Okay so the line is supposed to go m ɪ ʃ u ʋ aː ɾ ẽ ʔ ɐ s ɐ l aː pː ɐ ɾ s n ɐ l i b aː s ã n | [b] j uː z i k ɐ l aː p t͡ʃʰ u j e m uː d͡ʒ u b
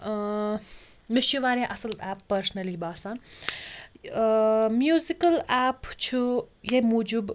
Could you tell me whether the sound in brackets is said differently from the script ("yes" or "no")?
yes